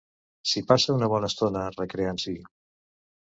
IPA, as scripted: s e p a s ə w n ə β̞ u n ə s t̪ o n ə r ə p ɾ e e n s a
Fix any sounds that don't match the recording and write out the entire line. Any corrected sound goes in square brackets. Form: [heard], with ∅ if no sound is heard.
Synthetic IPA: s [i] p a s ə [u] n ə β̞ [ɔ] n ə s t̪ o n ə r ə [k] ɾ e [a] n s [i]